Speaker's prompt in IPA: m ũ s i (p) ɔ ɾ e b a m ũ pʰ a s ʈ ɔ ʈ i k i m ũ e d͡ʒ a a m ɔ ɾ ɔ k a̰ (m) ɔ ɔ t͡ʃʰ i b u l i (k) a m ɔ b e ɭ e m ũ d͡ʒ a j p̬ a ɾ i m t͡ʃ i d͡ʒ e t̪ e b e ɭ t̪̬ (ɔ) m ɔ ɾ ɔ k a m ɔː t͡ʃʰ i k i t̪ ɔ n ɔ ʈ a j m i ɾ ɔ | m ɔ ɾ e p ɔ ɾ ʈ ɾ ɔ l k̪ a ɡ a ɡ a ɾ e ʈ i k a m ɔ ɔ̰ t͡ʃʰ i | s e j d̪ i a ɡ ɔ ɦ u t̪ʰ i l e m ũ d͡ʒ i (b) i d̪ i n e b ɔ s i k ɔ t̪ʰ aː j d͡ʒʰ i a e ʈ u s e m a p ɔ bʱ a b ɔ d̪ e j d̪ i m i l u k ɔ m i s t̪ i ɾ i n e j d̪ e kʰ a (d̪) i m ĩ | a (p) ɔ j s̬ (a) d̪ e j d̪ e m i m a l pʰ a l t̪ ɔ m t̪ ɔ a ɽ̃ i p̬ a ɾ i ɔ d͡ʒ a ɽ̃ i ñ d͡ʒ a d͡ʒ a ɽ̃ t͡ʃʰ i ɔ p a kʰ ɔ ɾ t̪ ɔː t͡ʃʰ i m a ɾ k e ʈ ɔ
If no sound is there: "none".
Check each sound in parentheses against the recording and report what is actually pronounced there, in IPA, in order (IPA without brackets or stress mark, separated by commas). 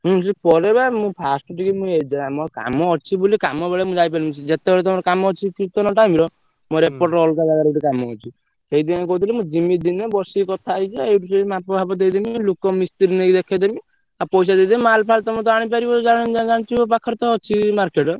p, m, k, ɔ, m, d̪, p, a